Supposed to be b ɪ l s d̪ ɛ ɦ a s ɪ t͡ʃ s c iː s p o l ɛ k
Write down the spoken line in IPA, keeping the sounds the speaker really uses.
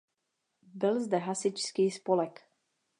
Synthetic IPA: b ɪ l z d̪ ɛ ɦ a s ɪ t͡ʃ s k iː s p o l ɛ k